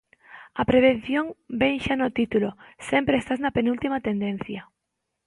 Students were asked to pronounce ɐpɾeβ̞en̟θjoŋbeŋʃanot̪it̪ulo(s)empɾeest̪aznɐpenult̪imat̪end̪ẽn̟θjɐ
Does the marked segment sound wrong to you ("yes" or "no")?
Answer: no